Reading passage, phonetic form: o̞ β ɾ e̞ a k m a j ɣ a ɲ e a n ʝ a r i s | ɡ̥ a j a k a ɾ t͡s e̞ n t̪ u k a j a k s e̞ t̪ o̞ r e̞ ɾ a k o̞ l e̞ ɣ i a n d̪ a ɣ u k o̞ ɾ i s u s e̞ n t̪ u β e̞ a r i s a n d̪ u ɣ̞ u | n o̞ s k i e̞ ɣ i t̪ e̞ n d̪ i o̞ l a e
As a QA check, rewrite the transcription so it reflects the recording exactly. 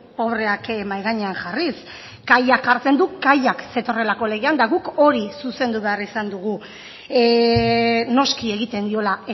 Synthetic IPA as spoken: o̞ β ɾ e̞ a k m a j ɣ a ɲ e a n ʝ a r i s | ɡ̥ a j a k a ɾ t͡s e̞ n d̪ u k a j a k s e̞ t̪ o̞ r e̞ l a k o̞ l e̞ ɣ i a n d̪ a ɣ u k o̞ ɾ i s u s e̞ n d̪ u β e̞ a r i s a n d̪ u ɣ̞ u | n o̞ s k i e̞ ɣ i t̪ e̞ n d̪ i o̞ l a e